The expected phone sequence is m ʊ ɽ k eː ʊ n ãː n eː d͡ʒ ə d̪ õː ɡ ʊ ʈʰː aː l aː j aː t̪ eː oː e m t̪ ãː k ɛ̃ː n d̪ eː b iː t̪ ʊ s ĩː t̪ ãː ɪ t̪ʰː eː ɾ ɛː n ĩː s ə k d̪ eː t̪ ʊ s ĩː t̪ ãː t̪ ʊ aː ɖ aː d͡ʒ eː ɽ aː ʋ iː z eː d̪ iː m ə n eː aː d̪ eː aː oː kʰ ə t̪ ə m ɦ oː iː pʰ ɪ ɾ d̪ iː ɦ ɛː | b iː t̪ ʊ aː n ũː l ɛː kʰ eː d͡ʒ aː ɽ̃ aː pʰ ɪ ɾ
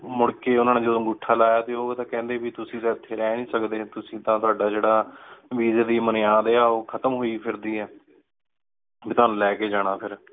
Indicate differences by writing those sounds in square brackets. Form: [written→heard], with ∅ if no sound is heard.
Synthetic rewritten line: m ʊ ɽ k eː ʊ n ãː n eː d͡ʒ ə d̪ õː ɡ ʊ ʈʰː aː l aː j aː t̪ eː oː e [m→∅] t̪ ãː k ɛ̃ː n d̪ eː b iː t̪ ʊ s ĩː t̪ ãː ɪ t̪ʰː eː ɾ ɛː n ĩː s ə k d̪ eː t̪ ʊ s ĩː t̪ ãː t̪ ʊ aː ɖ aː d͡ʒ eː ɽ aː ʋ iː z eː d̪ iː m ə n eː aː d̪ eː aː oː kʰ ə t̪ ə m ɦ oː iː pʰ ɪ ɾ d̪ iː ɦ ɛː | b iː t̪ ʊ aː n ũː l ɛː [kʰ→k] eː d͡ʒ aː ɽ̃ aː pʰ ɪ ɾ